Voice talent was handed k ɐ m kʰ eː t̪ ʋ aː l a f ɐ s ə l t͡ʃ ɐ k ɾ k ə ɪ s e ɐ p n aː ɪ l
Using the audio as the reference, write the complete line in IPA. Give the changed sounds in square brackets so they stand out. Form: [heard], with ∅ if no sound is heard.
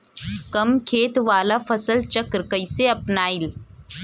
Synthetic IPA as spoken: k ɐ m kʰ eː t̪ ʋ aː l a f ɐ s ə l t͡ʃ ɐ k ɾ k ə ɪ s e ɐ p n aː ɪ l

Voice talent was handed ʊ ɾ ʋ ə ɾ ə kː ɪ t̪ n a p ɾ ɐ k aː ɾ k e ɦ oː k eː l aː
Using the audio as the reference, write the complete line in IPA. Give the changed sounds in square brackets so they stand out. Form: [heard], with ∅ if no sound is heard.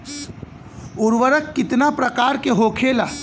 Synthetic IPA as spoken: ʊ ɾ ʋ ə ɾ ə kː ɪ t̪ n a p ɾ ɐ k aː ɾ k e ɦ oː [kʰ] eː l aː

